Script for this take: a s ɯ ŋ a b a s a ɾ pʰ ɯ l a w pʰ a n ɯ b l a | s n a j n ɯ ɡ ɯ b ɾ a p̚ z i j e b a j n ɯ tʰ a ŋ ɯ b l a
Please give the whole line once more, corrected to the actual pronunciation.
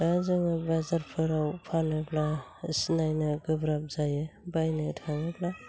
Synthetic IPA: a z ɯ ŋ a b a z a ɾ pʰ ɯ ɾ a w pʰ a n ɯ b l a | s n a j n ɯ ɡ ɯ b ɾ a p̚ z a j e b a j n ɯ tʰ a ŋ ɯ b l a